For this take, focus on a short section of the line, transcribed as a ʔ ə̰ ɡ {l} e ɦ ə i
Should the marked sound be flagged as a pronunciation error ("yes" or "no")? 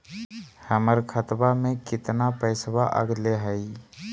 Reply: no